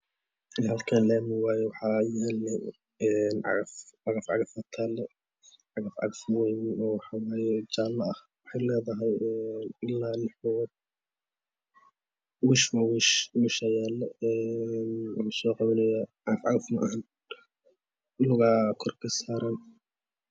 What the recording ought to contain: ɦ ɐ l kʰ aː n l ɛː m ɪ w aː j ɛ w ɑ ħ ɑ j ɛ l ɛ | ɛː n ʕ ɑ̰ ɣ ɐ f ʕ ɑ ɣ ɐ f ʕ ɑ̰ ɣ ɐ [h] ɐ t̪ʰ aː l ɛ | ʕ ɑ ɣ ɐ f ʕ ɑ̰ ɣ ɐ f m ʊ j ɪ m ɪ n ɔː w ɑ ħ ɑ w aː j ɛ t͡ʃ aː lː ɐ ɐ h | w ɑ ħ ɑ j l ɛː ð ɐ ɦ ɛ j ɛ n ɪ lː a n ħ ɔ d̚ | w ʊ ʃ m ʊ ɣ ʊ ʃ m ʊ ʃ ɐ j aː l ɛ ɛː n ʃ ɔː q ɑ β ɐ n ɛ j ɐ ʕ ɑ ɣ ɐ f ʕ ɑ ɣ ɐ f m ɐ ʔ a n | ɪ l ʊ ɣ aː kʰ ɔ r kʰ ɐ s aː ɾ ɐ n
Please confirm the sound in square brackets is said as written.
no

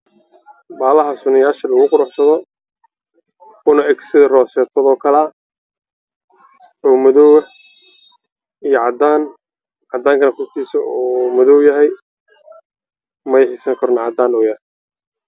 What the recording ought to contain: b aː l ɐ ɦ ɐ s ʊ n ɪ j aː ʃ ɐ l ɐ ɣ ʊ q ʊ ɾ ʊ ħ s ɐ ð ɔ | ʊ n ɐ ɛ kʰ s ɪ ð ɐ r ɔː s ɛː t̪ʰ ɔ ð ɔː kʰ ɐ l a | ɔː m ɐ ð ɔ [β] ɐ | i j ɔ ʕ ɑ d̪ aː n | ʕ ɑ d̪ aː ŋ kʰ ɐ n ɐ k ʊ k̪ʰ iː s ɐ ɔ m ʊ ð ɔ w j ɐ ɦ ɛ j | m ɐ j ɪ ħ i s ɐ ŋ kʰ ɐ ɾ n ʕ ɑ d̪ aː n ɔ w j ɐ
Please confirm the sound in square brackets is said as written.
no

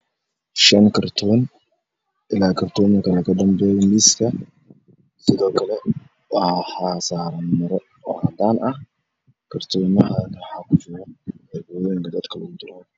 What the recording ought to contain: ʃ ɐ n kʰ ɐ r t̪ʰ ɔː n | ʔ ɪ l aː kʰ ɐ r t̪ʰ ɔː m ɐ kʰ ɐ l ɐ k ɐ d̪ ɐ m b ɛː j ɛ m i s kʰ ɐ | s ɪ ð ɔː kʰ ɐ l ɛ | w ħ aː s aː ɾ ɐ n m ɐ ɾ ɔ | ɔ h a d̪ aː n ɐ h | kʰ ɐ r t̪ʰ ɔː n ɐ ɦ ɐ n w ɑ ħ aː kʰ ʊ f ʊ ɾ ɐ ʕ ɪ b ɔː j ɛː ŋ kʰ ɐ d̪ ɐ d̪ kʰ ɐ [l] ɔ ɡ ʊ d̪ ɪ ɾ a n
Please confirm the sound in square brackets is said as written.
yes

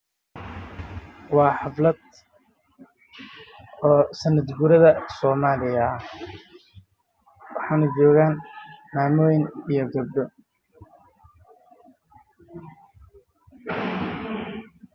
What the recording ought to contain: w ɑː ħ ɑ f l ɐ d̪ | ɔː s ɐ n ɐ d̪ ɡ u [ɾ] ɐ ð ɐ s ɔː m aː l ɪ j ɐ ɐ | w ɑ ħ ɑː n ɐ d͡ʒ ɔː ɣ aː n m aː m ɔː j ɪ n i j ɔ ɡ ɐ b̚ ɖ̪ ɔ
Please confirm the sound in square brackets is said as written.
yes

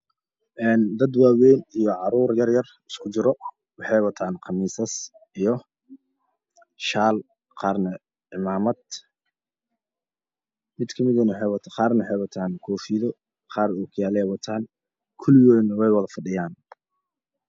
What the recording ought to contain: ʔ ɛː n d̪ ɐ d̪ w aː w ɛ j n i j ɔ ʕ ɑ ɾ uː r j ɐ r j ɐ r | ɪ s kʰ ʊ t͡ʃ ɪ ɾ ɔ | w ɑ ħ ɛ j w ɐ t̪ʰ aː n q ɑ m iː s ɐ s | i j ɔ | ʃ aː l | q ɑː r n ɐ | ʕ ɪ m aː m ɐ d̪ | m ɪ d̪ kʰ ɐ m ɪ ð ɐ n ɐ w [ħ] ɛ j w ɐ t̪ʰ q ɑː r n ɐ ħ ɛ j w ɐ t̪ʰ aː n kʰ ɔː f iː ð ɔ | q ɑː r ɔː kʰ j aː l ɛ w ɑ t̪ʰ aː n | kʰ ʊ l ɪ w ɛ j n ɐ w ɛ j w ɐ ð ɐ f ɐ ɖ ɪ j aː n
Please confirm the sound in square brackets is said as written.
yes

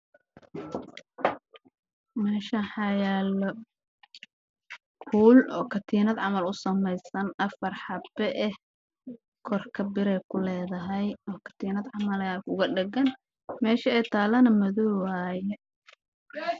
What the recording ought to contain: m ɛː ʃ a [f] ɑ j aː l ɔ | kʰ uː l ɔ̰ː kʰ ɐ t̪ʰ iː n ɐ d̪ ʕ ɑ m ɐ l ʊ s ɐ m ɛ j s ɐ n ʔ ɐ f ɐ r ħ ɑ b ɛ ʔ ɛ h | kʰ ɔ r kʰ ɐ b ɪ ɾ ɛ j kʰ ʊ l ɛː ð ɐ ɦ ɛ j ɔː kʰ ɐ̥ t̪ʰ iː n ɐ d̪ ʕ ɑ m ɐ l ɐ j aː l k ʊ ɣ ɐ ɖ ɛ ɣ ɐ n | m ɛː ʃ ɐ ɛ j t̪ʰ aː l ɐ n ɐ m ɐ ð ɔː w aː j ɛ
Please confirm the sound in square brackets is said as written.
no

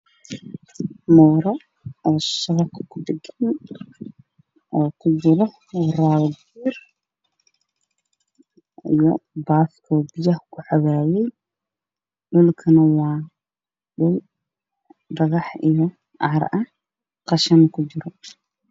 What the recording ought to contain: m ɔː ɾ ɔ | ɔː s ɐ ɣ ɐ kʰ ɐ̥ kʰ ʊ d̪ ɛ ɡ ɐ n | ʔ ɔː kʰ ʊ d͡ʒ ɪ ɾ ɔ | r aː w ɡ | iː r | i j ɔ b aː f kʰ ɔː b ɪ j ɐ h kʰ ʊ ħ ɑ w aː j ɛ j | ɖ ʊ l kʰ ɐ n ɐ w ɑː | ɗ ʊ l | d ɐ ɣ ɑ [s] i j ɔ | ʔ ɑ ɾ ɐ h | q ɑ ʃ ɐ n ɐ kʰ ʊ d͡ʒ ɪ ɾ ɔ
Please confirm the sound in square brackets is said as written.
no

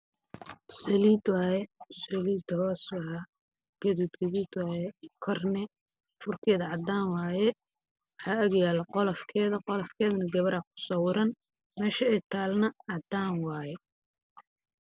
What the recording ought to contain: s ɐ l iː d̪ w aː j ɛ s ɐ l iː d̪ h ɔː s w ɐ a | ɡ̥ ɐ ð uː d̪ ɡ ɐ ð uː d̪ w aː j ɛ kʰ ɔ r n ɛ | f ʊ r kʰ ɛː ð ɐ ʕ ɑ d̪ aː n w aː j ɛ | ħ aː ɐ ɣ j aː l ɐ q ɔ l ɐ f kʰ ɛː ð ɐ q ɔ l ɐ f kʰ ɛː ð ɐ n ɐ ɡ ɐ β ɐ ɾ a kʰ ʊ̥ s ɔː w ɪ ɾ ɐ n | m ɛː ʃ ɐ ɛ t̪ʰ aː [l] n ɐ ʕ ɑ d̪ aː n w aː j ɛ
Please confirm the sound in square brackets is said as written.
yes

